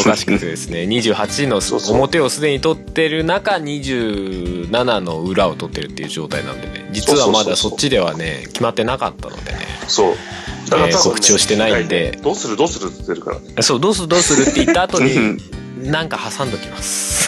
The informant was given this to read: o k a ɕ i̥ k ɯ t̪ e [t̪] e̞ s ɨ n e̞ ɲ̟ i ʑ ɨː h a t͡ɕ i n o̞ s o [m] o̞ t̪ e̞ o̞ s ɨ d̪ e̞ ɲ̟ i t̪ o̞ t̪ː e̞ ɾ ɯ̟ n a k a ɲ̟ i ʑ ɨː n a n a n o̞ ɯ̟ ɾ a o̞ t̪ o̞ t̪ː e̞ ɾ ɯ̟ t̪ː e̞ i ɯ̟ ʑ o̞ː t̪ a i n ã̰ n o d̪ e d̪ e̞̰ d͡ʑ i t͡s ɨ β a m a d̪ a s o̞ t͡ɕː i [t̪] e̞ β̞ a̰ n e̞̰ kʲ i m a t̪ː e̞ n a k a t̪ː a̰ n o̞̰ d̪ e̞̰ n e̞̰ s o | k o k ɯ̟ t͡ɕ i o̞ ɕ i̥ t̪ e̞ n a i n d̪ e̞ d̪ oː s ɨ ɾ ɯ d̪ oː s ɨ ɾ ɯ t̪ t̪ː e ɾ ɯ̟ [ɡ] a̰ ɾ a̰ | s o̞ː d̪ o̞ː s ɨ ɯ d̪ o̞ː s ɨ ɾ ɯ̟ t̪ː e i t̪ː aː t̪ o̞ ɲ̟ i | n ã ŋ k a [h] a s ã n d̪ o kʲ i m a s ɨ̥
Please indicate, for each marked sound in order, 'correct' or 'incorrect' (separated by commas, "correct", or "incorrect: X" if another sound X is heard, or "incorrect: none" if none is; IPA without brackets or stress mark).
incorrect: d̪, correct, incorrect: d̪, incorrect: k, correct